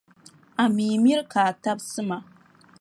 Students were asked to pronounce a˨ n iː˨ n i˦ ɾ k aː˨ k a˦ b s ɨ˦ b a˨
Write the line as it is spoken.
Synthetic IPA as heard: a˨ m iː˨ m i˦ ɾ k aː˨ t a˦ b s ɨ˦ m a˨